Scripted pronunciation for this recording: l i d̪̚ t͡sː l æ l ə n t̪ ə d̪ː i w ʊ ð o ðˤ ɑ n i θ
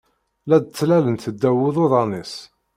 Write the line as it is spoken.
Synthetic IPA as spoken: l æ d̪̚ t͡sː l æ l ə n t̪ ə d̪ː æ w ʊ ð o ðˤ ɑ n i s